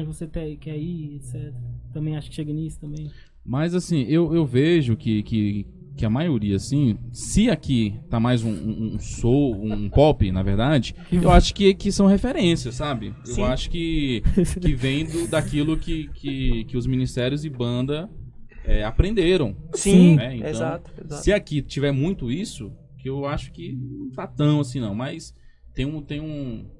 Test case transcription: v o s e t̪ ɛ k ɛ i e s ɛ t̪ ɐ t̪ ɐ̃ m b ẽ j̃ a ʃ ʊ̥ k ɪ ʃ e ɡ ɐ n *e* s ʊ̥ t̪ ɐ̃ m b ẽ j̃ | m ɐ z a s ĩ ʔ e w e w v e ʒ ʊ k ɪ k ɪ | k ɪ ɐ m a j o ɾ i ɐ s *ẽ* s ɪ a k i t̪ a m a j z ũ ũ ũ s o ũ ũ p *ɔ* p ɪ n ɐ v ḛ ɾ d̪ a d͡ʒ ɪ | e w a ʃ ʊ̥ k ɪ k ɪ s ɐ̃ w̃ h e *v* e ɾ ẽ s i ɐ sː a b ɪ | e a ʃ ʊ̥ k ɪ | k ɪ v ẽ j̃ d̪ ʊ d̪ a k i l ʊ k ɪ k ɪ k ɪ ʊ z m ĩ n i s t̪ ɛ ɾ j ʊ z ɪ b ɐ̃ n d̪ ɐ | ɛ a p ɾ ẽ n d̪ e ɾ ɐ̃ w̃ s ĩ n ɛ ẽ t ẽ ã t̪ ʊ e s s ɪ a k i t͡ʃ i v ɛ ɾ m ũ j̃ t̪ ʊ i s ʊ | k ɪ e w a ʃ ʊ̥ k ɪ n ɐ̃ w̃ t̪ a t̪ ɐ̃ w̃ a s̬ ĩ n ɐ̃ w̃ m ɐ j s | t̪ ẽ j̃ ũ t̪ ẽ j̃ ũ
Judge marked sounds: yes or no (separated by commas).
no, no, yes, no